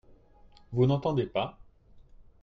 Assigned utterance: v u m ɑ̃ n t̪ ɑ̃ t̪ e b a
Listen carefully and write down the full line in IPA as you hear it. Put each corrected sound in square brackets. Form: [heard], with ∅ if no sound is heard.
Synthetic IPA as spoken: v u [n] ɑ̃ [∅] t̪ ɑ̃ [d̪] e [p] a